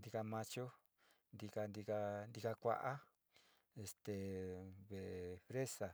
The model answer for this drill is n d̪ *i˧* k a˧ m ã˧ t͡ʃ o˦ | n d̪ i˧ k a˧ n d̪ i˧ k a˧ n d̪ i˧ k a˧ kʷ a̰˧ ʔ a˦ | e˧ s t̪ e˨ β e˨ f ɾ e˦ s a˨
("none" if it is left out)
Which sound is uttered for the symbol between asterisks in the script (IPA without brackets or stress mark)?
i˧